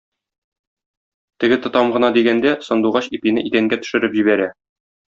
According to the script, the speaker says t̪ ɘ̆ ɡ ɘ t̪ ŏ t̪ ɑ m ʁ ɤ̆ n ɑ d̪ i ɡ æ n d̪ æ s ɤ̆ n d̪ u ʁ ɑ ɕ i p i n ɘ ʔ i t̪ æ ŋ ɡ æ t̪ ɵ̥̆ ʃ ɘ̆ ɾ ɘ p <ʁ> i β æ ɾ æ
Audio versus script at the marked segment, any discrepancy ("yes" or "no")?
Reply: yes